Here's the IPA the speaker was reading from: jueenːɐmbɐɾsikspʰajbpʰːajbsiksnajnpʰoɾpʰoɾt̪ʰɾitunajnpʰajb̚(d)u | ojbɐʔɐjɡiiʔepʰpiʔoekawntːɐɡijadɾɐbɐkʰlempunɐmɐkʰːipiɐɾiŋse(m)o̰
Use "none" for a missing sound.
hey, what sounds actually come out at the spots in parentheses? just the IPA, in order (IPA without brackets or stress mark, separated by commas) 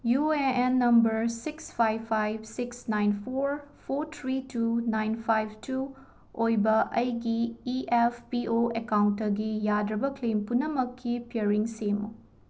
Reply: t, m